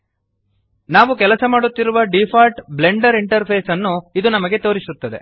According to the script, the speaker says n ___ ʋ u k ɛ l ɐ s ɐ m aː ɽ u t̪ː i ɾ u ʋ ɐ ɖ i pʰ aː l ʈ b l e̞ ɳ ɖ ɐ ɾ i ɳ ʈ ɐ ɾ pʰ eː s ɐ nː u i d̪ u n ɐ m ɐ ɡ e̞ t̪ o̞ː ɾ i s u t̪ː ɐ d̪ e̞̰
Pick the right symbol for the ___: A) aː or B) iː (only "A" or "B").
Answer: A